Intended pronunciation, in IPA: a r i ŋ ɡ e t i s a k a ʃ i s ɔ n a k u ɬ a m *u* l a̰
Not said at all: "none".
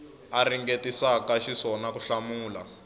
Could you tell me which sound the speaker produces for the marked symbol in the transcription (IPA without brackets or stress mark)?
uː